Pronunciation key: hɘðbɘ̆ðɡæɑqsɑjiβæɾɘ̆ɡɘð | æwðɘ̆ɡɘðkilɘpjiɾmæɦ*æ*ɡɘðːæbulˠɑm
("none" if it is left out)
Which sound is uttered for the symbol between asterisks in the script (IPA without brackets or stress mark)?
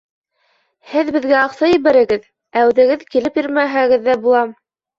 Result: æ